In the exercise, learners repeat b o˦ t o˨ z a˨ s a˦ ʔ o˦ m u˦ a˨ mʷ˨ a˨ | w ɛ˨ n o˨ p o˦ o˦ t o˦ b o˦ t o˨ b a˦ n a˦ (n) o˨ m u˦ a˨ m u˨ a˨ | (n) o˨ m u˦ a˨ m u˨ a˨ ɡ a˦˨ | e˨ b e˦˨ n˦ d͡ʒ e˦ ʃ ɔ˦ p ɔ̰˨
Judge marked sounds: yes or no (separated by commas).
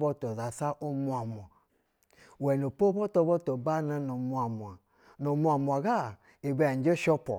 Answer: yes, yes